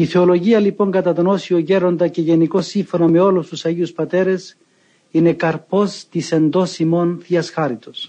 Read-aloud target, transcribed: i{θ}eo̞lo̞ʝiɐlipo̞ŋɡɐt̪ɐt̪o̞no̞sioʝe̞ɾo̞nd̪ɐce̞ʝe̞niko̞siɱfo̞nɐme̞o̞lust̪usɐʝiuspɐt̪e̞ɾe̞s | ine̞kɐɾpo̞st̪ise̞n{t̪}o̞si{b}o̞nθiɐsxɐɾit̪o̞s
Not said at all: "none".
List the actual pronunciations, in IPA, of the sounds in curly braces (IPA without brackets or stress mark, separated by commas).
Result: θ, d̪, m